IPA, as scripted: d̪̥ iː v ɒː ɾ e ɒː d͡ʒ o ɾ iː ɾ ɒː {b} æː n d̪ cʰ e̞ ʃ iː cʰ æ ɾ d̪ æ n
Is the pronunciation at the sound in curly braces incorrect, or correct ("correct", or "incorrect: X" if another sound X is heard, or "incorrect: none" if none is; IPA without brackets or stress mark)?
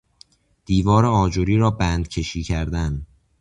correct